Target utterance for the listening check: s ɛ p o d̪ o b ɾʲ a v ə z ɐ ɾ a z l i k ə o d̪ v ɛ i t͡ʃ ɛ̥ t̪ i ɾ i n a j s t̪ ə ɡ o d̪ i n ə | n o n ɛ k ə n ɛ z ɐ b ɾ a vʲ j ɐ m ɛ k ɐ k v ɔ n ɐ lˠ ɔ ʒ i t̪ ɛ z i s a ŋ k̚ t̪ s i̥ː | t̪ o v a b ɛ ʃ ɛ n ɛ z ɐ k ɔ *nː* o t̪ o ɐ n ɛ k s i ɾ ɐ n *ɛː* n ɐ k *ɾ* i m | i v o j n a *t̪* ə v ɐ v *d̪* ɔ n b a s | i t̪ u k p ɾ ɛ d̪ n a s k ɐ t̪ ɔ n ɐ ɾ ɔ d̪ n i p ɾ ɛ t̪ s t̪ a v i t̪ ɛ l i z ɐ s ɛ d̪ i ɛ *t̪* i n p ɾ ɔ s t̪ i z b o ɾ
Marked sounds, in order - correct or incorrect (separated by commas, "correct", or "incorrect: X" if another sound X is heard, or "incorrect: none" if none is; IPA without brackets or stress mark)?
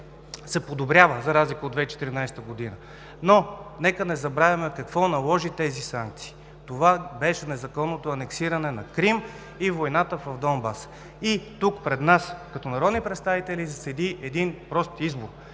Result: correct, incorrect: ɛ, correct, correct, correct, incorrect: d̪